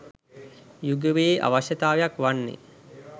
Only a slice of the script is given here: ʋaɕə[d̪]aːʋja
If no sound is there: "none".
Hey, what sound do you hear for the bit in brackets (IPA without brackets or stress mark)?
t̪